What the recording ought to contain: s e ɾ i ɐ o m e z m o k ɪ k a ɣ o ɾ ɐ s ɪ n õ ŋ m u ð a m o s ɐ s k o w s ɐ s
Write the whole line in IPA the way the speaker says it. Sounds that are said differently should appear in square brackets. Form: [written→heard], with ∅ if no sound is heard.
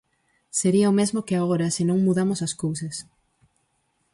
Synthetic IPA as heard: s e ɾ i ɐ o m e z m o k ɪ [k→∅] a ɣ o ɾ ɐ s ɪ n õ ŋ m u ð a m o s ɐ s k o w s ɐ s